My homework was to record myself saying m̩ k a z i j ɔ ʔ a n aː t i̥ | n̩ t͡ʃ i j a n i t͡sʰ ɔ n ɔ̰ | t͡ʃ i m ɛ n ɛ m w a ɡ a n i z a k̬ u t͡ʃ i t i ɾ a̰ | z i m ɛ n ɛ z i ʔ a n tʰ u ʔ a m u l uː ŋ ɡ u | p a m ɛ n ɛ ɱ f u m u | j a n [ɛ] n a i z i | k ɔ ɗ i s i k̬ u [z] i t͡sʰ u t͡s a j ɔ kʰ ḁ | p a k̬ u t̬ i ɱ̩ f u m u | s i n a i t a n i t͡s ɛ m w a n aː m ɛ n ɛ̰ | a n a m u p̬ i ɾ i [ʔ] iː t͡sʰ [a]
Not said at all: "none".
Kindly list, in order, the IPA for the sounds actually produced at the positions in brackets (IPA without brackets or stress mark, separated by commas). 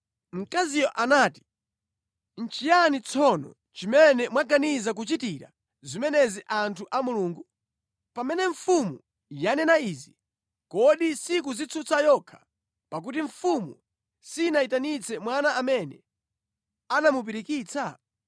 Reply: ɛ, z, k, a